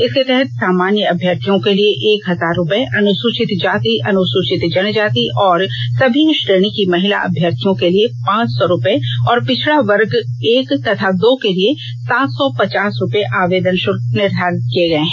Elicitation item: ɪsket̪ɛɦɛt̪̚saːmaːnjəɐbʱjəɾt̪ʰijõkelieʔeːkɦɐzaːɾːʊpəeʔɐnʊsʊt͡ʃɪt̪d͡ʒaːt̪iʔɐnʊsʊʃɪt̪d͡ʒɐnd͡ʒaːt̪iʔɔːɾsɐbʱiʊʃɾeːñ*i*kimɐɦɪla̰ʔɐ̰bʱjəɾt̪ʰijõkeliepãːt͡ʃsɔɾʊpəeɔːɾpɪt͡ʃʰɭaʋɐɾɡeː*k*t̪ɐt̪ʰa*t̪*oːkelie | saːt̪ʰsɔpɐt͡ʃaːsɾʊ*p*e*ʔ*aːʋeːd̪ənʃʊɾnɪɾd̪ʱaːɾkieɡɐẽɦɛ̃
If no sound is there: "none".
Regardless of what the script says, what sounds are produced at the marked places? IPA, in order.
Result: i, k, d̪, p, ʔ

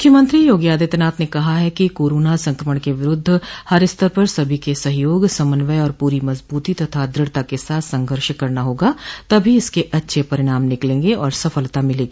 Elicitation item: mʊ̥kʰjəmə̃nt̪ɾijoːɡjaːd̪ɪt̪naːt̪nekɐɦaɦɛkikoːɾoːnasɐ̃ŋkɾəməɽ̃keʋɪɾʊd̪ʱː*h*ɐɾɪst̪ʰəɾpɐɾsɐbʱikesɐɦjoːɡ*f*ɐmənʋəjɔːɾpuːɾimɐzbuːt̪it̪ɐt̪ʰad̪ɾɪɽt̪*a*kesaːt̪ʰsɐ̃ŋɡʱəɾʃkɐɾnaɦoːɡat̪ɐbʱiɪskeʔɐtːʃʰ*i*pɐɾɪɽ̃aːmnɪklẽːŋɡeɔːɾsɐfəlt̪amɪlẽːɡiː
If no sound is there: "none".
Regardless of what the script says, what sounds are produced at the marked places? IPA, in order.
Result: h, s, a, e

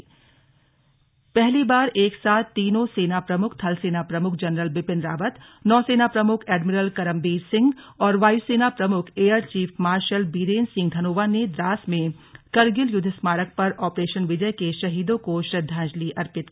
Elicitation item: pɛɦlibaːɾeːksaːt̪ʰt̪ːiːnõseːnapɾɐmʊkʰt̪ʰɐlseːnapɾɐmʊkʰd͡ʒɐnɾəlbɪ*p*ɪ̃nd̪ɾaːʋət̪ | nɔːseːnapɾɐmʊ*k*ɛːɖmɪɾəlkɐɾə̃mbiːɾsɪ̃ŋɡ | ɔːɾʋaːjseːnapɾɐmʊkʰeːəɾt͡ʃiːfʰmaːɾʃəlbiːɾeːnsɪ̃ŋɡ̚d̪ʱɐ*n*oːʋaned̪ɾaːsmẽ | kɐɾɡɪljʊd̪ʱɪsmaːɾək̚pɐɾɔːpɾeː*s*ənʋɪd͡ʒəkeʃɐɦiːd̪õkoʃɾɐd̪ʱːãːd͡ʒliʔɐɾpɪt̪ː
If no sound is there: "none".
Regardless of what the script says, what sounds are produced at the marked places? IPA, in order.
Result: p, kʰ, n, ʃ

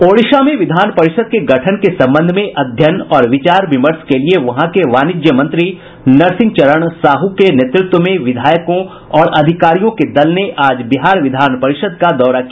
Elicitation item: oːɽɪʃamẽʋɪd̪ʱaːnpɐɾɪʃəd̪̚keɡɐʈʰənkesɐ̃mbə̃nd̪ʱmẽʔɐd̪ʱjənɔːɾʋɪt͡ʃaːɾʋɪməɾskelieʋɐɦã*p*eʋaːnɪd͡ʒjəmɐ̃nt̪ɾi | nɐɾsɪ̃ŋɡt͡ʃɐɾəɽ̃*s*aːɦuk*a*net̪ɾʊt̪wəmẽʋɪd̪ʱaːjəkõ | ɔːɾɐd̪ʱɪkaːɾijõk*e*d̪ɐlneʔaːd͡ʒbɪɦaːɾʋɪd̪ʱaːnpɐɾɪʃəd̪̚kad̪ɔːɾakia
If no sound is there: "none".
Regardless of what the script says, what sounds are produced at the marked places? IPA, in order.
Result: k, s, e, e

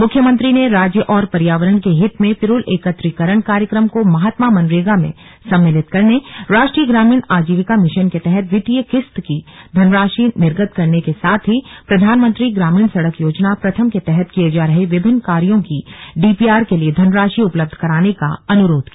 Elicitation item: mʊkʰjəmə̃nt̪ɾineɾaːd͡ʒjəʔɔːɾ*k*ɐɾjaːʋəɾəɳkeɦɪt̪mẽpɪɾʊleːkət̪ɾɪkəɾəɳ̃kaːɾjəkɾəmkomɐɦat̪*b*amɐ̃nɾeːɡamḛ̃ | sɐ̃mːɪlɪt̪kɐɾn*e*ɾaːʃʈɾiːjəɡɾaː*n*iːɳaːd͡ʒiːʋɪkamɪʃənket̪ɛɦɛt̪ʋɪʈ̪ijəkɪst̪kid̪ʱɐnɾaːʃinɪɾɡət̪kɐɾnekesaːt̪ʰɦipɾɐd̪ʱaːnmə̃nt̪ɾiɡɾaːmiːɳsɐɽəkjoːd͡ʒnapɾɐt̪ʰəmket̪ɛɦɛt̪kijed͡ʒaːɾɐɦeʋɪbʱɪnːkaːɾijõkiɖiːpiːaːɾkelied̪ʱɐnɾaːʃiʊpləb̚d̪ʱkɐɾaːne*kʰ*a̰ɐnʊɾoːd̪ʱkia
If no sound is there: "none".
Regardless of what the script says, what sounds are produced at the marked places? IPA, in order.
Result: p, m, e, m, k

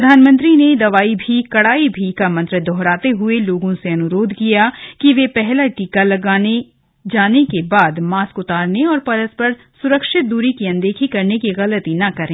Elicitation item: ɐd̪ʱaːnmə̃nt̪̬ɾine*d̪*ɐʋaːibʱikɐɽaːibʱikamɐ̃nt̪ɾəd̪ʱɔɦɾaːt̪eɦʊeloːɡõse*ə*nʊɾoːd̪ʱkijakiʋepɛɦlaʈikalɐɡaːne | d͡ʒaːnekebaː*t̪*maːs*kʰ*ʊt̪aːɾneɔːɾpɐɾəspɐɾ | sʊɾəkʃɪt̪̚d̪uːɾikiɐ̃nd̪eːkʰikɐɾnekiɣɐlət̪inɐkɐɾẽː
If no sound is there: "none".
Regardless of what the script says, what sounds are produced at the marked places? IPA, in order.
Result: d̪, ɐ, d̪, k

